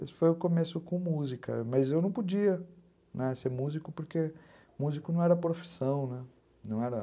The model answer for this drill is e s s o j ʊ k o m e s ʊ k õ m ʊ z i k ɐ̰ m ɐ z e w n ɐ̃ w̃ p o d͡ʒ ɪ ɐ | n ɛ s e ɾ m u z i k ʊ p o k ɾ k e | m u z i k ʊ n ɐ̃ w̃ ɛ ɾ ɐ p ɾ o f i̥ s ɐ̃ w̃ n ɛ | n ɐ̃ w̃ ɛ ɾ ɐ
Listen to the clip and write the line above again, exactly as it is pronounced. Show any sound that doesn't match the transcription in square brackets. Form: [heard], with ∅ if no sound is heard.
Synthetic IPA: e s [f] o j ʊ k o m e s ʊ k õ m [u] z i k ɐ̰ m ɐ z e w n ɐ̃ w̃ p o d͡ʒ [i] ɐ | n ɛ s e ɾ m u z i k ʊ p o [∅] ɾ k e | m u z i k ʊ n ɐ̃ w̃ ɛ ɾ ɐ p ɾ o f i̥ s ɐ̃ w̃ n ɛ | n ɐ̃ w̃ ɛ ɾ ɐ